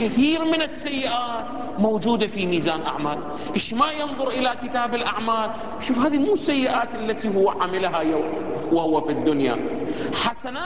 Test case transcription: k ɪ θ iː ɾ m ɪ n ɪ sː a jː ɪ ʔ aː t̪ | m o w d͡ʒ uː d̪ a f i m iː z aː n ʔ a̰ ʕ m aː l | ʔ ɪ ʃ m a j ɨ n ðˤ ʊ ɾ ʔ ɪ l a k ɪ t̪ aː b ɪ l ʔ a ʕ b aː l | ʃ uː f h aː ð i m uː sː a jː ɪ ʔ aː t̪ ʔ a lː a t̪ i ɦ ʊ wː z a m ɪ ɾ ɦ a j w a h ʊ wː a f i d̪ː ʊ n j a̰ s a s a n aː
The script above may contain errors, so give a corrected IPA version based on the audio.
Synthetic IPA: k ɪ θ iː ɾ m ɪ n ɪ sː a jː ɪ ʔ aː t̪ | m o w d͡ʒ uː d̪ a f i m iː z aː n ʔ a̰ ʕ m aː l | ʔ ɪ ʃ m a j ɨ n ðˤ ʊ ɾ ʔ ɪ l a k ɪ t̪ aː b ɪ l ʔ a ʕ m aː l | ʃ uː f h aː ð i m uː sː a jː ɪ ʔ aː t̪ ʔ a lː a t̪ i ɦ ʊ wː ʕ a m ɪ l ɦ a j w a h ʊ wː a f i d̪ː ʊ n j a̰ ħ a s a n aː